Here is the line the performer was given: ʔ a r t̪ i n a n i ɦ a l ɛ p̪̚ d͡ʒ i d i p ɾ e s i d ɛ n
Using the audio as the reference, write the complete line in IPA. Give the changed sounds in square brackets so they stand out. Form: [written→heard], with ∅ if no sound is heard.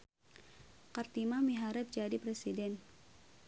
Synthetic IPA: [ʔ→k] a r t̪ i [n→m] a [n→m] i ɦ a [l→ɾ] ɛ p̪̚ d͡ʒ [i→a] d i p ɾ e s i d ɛ n

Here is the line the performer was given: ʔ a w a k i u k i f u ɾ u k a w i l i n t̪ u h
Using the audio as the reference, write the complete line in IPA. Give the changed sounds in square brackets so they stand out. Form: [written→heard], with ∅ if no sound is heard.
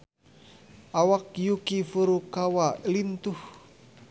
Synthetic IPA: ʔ a w a k [i→j] u k i f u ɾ u k a w [i→a] l i n t̪ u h

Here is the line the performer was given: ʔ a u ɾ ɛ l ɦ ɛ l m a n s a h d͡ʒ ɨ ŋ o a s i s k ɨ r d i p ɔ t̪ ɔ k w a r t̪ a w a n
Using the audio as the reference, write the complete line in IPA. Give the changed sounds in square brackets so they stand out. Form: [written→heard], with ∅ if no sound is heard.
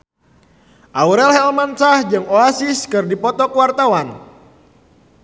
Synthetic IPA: ʔ a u ɾ ɛ l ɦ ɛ l m a n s a h d͡ʒ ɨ ŋ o a s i s k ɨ r d i p ɔ t̪ ɔ k w a r t̪ a w a n

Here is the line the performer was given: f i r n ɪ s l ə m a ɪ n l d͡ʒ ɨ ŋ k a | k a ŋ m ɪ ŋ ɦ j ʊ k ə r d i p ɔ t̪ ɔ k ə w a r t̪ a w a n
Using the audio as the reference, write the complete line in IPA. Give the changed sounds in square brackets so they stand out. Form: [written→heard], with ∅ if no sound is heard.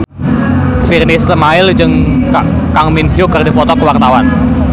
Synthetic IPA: f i r n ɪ s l ə m a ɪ [n→∅] l d͡ʒ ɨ ŋ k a | k a ŋ m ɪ [ŋ→n] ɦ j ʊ k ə r d i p ɔ t̪ ɔ k ə w a r t̪ a w a n

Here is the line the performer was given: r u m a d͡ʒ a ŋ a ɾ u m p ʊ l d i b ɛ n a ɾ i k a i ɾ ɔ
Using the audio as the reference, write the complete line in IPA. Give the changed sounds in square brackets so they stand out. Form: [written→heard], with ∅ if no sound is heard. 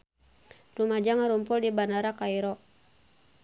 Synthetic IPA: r u m a d͡ʒ a ŋ a ɾ u m p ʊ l d i b [ɛ→a] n a ɾ [i→a] k a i ɾ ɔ

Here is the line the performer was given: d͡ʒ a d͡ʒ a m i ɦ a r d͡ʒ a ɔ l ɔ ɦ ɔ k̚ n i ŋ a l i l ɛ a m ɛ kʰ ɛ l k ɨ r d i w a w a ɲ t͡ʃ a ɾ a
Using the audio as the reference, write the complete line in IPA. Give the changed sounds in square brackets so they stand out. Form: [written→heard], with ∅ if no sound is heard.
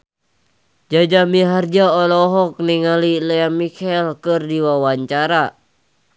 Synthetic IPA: d͡ʒ a d͡ʒ a m i ɦ a r d͡ʒ a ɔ l ɔ ɦ ɔ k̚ n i ŋ a l i l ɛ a m [ɛ→i] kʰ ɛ l k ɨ r d i w a w a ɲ t͡ʃ a ɾ a

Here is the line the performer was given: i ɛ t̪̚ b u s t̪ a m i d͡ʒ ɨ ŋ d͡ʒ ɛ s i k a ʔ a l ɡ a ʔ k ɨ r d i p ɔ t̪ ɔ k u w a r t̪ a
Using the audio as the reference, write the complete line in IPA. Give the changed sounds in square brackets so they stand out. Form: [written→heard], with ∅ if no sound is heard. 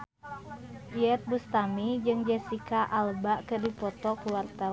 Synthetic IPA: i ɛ t̪̚ b u s t̪ a m i d͡ʒ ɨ ŋ d͡ʒ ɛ s i k a ʔ a l [ɡ→b] a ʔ k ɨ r d i p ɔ t̪ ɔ k u w a r t̪ a

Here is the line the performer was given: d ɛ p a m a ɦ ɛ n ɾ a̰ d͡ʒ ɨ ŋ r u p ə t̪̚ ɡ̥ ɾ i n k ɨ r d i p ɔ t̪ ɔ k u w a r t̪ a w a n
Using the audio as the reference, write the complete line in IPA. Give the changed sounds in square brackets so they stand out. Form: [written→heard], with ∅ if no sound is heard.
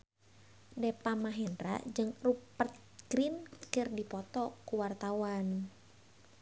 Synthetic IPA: d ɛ p a m a ɦ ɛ n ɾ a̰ d͡ʒ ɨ ŋ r u p ə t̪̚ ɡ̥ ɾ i n k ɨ r d i p ɔ t̪ ɔ k u w a r t̪ a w a n

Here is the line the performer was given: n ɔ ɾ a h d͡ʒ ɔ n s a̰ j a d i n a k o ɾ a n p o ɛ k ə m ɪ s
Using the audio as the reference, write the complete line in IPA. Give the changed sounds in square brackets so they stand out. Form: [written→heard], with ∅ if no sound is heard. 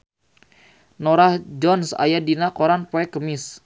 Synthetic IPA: n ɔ ɾ a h d͡ʒ ɔ n s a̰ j a d i n a k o ɾ a n p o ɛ k ə m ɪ s

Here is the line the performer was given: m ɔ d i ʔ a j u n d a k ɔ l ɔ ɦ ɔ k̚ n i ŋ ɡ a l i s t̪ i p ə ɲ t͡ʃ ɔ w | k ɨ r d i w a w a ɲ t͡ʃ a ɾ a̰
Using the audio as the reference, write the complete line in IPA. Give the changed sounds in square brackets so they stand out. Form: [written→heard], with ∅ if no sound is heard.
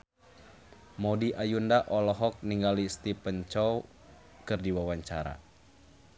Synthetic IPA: m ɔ d i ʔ a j u n d a [k→ʔ] ɔ l ɔ ɦ ɔ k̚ n i ŋ ɡ a l i s t̪ i p ə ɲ t͡ʃ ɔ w | k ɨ r d i w a w a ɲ t͡ʃ a ɾ a̰

